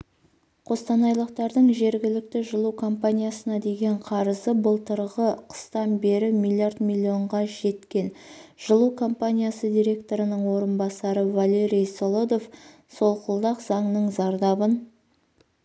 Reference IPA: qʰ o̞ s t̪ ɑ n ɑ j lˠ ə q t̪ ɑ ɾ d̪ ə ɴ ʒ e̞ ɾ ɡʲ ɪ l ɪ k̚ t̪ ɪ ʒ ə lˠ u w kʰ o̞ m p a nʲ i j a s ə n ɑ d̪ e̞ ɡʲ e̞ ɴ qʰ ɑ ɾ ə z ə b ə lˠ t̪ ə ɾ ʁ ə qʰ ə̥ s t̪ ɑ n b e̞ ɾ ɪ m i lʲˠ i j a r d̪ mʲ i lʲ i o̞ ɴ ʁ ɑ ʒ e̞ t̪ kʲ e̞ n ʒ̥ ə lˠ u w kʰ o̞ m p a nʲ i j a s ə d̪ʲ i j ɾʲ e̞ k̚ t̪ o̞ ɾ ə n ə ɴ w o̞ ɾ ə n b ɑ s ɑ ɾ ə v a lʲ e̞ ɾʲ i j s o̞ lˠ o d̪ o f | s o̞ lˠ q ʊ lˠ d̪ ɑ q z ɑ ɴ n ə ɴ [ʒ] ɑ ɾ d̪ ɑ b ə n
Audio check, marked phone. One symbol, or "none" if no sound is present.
z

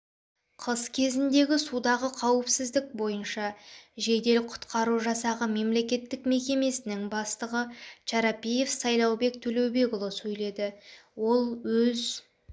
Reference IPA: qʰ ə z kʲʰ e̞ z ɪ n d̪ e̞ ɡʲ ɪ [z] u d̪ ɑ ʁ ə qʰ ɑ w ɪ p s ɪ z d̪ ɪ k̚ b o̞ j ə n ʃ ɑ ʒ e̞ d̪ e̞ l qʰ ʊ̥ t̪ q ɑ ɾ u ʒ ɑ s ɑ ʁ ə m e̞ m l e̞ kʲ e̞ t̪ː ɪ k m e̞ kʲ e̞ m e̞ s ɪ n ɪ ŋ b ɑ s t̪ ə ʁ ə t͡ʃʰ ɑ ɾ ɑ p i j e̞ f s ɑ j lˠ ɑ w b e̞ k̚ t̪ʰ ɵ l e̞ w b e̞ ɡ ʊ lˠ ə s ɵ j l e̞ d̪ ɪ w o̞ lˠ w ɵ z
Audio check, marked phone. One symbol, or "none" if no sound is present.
s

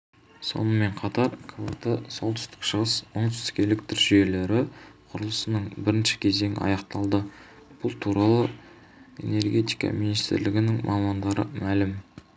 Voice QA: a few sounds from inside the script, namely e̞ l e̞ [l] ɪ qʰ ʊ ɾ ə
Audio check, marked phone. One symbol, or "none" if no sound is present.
ɾ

